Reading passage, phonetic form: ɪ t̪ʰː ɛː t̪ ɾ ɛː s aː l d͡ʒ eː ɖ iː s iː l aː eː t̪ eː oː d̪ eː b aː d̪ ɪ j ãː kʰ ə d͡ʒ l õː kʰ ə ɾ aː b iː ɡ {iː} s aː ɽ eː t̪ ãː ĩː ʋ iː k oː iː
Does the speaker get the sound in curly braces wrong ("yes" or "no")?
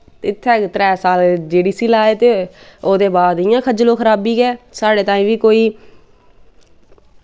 yes